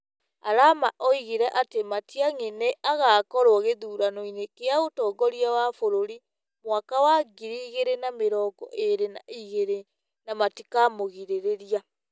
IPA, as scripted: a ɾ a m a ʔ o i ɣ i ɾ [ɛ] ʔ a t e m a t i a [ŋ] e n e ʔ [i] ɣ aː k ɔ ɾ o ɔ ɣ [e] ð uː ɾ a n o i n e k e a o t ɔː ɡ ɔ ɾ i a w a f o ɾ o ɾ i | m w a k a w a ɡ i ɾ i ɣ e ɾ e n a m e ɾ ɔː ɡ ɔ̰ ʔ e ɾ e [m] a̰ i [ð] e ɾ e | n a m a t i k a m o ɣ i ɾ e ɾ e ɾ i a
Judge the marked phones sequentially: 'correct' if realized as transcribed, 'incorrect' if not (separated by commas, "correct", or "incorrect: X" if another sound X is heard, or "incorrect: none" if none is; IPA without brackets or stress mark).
correct, correct, incorrect: a, correct, incorrect: n, incorrect: ɣ